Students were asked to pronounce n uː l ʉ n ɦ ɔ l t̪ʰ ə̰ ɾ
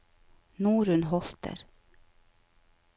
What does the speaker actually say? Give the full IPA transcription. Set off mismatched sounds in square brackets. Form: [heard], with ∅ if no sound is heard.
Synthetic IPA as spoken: n uː [ɾ] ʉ n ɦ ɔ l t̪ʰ ə̰ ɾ